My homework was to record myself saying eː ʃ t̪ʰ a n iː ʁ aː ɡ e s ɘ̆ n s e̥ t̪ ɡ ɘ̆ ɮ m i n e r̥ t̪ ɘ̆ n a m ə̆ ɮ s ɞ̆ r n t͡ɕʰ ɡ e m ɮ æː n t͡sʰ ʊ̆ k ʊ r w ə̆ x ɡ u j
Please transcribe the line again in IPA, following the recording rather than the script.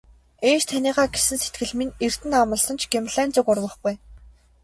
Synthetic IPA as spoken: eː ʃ t̪ʰ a n iː ʁ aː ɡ e s ɘ̆ n s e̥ t̪ ɡ ɘ̆ ɮ m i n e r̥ t̪ ɘ̆ n a m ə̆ ɮ s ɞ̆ n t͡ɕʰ ɡ e m ɮ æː n t͡s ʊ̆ k ʊ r w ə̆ χ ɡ u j